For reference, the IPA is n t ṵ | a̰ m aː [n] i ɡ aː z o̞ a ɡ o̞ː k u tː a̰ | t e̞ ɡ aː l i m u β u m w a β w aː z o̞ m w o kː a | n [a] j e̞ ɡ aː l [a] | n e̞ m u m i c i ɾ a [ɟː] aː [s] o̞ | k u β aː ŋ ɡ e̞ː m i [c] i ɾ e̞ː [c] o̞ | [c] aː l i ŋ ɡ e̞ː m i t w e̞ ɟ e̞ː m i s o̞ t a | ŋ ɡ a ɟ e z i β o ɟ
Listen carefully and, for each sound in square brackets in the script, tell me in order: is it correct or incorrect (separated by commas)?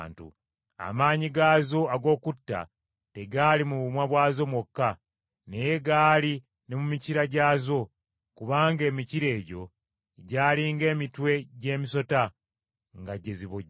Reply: incorrect, incorrect, incorrect, incorrect, incorrect, correct, incorrect, incorrect